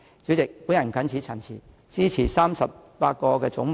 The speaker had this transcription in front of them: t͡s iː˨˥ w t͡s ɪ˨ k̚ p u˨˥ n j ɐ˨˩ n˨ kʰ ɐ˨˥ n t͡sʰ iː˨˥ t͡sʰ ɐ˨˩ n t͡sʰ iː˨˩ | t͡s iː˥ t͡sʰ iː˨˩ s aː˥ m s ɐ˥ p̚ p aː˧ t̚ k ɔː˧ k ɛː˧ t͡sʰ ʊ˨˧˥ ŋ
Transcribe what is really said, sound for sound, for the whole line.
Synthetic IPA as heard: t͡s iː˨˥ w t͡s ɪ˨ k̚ p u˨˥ n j ɐ˨˩ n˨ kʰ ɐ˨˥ n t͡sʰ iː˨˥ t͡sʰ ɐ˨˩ n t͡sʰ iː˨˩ | t͡s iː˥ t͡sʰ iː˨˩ s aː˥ m s ɐ˨ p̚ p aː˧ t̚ k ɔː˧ k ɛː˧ t͡s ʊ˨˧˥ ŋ